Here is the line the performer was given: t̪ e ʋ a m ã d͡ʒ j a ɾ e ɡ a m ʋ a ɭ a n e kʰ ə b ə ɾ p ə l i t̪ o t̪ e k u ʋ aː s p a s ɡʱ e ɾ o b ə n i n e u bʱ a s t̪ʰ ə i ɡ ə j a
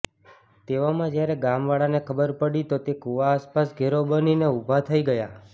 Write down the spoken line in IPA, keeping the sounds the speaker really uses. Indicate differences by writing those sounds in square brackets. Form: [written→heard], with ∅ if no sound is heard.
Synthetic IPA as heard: t̪ e ʋ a m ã d͡ʒ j a ɾ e ɡ a m ʋ a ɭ a n e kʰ ə b ə ɾ p ə [l→ɽ] i t̪ o t̪ e k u ʋ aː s p a s ɡʱ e ɾ o b ə n i n e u bʱ a [s→∅] t̪ʰ ə i ɡ ə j a